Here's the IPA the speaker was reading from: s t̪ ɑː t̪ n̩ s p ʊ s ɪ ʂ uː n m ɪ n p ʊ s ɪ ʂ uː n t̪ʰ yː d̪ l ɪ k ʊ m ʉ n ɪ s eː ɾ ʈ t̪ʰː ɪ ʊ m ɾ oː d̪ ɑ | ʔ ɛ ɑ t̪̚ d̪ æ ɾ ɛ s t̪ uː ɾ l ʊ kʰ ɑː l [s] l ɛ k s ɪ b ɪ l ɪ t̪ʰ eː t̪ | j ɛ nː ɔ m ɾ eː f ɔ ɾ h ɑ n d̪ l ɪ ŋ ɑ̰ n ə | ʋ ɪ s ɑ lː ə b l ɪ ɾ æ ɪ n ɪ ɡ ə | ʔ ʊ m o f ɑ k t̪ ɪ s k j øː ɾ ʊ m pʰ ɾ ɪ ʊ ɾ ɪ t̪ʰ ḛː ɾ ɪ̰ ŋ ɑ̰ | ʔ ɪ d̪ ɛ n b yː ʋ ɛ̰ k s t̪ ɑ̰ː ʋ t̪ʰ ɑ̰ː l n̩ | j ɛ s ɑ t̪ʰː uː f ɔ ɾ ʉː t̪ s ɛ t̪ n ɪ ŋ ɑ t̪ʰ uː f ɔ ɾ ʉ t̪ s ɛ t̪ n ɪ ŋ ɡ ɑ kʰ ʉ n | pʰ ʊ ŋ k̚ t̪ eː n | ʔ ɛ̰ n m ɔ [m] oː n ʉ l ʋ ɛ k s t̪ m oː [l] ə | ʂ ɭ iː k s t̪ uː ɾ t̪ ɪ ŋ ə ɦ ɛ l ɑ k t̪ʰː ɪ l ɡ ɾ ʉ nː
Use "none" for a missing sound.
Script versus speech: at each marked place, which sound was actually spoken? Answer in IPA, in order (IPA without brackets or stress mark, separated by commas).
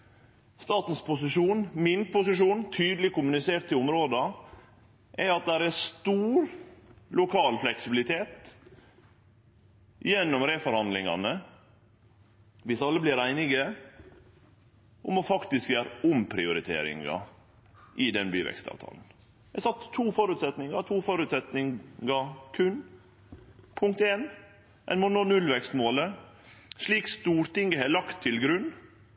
f, n, l